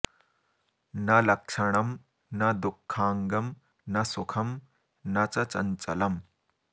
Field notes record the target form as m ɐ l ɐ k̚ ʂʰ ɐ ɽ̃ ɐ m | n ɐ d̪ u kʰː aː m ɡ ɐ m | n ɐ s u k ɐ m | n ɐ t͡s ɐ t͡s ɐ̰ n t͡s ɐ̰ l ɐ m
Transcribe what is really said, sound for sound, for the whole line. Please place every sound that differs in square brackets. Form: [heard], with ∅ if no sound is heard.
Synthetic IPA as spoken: [n] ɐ l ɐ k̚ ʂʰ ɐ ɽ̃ ɐ m | n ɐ d̪ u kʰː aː [ŋ] ɡ ɐ m | n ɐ s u [kʰ] ɐ m | n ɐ t͡s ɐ t͡s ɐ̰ n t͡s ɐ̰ l ɐ m